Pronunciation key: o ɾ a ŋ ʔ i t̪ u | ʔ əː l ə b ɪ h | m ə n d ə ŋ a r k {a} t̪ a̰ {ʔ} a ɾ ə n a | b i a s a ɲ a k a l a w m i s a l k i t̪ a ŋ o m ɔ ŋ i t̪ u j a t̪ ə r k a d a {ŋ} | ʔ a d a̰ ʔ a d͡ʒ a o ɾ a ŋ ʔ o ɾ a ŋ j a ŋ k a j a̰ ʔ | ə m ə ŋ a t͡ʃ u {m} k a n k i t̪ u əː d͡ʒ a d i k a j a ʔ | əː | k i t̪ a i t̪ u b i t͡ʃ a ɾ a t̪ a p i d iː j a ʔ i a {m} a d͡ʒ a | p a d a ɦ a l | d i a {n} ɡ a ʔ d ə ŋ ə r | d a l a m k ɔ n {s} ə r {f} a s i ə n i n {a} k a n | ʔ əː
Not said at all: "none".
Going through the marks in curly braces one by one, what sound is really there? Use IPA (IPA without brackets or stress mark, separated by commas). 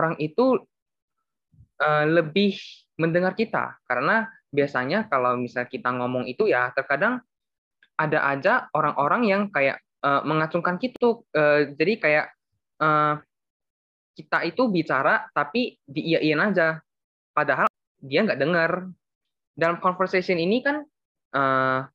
i, k, ŋ, ŋ, n, ŋ, f, s, i